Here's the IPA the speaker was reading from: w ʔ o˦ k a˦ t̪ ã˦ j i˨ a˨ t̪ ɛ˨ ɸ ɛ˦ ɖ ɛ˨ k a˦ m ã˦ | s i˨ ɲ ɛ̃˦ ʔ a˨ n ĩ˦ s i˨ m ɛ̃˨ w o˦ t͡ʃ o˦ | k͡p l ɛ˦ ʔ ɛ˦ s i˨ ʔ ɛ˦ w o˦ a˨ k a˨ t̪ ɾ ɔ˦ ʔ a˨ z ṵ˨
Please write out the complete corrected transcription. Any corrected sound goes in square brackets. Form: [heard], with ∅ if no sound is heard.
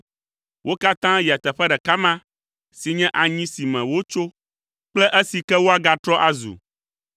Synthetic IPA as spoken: w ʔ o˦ k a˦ t̪ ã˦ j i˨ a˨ t̪ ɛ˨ ɸ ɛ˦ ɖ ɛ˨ k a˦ m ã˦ | s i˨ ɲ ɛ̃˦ ʔ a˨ [ɲ] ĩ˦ s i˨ m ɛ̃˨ w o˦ t͡ʃ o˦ | k͡p l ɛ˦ ʔ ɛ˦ s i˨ [k] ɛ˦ w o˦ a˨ [ɡ] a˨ t̪ ɾ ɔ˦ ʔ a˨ z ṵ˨